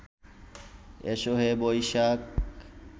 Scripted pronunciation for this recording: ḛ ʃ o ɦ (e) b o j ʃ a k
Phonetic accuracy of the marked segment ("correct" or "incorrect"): correct